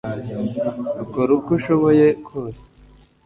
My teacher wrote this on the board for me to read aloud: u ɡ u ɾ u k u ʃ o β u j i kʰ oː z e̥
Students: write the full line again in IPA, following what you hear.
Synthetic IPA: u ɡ o ɾ u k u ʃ o β o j e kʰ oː s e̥